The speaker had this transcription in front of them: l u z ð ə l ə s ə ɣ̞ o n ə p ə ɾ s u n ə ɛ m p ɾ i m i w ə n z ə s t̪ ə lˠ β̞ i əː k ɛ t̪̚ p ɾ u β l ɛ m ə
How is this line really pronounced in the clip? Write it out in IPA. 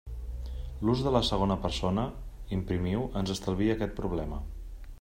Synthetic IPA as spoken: l u z ð ə l ə s ə ɣ̞ o n ə p ə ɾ s o n ə i m p ɾ i m i w ə n z ə s t̪ ə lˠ β̞ i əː k ɛ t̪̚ p ɾ u β l ɛ m ə